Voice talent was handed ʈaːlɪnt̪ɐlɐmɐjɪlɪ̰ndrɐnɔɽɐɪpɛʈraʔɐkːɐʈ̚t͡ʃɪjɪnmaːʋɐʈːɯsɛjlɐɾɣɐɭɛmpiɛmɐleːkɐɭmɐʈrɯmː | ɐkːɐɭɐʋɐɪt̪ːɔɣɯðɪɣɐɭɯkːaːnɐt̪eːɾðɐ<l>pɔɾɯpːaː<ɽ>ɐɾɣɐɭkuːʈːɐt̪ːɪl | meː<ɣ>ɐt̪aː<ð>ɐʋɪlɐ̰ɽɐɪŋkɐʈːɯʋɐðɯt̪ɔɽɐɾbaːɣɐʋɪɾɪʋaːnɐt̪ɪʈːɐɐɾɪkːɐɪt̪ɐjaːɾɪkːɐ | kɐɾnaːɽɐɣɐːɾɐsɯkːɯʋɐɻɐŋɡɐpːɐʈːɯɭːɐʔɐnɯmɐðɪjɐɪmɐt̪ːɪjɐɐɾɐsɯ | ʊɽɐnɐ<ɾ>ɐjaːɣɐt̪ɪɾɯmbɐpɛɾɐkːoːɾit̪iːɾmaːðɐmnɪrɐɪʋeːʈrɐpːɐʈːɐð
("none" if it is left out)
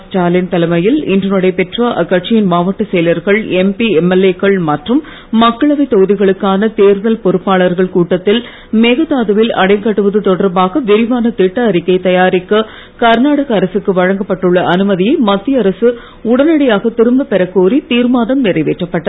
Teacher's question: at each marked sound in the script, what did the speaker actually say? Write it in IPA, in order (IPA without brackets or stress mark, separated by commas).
l, ɭ, ɣ, ð, ɽ